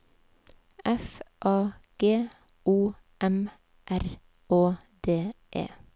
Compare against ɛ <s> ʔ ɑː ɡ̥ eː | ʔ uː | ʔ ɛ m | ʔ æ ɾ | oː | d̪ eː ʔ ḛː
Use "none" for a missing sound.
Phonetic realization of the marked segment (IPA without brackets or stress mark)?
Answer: f